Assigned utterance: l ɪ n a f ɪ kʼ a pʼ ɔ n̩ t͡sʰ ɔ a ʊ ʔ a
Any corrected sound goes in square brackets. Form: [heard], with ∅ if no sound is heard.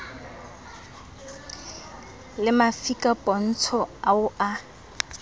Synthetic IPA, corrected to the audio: l ɪ [m] a f [i] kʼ a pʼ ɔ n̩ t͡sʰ ɔ a ʊ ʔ a